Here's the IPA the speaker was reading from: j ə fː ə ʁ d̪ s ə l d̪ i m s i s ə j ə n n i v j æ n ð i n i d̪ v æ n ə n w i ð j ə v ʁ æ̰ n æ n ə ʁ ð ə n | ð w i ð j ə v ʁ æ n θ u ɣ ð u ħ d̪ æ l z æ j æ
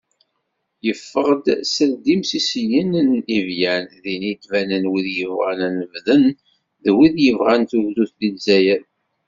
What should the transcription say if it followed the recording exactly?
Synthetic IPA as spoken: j ə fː ə ʁ d̪ s ə l d̪ i m s i s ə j ə n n i v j æ n ð i n i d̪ v æ n ə n w i ð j ə v ʁ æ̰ n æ n ə v ð ə n | ð w i ð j ə v ʁ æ n θ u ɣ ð u θ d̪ i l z æ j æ